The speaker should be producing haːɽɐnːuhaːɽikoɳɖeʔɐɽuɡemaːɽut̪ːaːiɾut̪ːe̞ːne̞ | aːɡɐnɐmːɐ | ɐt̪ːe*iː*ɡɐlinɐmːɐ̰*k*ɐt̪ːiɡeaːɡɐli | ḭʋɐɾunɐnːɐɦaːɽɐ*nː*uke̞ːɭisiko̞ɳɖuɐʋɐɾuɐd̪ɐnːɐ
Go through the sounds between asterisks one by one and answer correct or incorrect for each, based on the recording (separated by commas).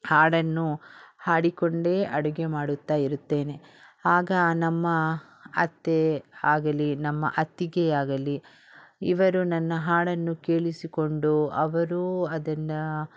incorrect, incorrect, correct